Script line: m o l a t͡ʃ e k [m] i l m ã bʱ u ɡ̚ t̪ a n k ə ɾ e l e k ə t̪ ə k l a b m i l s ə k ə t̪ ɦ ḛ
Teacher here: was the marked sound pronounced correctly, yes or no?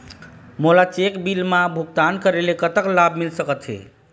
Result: no